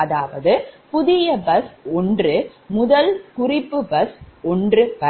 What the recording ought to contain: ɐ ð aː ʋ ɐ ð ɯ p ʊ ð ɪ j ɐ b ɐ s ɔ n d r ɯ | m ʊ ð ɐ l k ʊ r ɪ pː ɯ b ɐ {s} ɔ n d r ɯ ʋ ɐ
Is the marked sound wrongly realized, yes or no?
no